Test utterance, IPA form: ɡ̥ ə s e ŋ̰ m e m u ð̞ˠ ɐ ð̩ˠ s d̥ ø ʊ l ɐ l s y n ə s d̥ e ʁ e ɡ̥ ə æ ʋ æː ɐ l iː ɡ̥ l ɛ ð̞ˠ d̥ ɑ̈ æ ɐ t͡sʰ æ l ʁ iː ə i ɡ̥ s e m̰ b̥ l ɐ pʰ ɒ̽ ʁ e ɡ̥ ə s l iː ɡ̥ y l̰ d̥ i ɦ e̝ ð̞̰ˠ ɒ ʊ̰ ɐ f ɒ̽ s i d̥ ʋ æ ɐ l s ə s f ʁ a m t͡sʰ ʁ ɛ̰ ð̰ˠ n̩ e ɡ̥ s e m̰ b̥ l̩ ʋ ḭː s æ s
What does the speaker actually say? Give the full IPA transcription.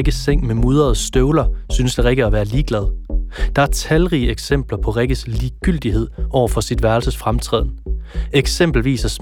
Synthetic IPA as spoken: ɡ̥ ə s e ŋ̰ m e m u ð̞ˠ ɐ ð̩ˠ s d̥ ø ʊ l ɐ s y n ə s d̥ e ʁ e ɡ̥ ə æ ʋ æː ɐ l iː ɡ̥ l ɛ ð̞ˠ d̥ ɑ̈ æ ɐ t͡sʰ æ l ʁ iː ə e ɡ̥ s e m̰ b̥ l ɐ pʰ ɒ̽ ʁ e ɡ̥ ə s l iː ɡ̥ y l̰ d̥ i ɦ e̝ ð̞̰ˠ ɒ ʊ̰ ɐ f ɒ̽ s i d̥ ʋ æ ɐ l s ə s f ʁ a m t͡sʰ ʁ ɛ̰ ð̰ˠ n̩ e ɡ̥ s e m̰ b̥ l̩ ʋ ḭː s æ s